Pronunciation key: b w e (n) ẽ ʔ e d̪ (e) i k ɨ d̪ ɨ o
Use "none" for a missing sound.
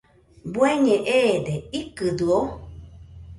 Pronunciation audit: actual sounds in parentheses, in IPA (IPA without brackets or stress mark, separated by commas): ɲ, e